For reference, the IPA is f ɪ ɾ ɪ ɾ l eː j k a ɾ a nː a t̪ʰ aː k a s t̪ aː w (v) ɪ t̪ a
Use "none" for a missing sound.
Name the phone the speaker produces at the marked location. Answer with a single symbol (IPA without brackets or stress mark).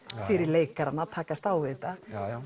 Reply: v